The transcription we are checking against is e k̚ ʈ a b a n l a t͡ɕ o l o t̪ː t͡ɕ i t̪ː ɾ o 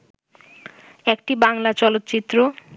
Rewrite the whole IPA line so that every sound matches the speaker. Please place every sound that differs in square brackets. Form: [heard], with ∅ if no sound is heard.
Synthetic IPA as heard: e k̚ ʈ [i] b a [ŋ] l a t͡ɕ [ɔ] l o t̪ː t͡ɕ i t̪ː ɾ o